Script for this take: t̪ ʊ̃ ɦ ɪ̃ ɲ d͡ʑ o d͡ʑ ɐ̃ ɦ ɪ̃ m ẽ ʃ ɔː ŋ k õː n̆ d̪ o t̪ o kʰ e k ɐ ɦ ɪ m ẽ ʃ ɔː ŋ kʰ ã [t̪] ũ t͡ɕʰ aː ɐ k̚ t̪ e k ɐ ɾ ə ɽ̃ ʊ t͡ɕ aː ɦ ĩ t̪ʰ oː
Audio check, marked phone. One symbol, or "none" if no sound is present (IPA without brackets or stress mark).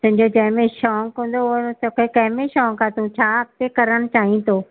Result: t̪